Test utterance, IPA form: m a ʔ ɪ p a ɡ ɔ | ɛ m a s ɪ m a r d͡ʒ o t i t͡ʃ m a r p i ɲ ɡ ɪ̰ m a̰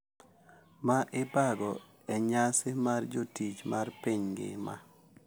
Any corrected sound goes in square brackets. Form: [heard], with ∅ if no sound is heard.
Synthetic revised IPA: m a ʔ ɪ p a ɡ ɔ | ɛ [ɲ] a s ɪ m a r d͡ʒ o t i t͡ʃ m a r p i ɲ ɡ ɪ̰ m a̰